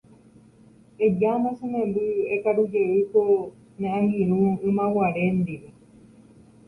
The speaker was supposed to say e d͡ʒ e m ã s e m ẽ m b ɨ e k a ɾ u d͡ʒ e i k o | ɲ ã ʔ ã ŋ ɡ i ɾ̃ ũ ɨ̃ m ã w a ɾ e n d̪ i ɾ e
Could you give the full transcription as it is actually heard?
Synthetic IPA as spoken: e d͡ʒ a m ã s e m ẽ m b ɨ e k a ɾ u d͡ʒ e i k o | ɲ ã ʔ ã ŋ ɡ i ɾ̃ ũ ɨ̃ m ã w a ɾ e n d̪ i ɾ e